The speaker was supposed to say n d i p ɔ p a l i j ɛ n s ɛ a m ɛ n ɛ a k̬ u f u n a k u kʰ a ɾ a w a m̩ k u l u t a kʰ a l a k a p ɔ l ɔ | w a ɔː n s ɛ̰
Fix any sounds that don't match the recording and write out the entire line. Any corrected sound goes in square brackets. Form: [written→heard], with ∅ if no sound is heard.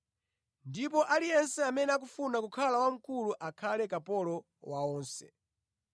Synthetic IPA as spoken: n d i p ɔ [p→ʔ] a l i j ɛ n s ɛ a m ɛ n ɛ a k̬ u f u n a k u kʰ a [ɾ→l] a w a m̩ k u l u [t→ʔ] a kʰ a l [a→ɛ] k a p ɔ l ɔ | w a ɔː n s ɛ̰